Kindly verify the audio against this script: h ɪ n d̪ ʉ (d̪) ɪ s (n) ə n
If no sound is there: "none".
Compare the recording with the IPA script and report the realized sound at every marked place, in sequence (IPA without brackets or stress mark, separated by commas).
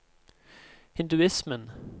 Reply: none, m